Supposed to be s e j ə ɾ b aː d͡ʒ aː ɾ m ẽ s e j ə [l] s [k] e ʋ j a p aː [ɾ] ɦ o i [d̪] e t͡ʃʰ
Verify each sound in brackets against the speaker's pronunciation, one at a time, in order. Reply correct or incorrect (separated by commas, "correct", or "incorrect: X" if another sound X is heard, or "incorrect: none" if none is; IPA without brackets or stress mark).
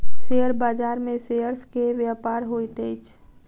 incorrect: ɾ, correct, correct, incorrect: t̪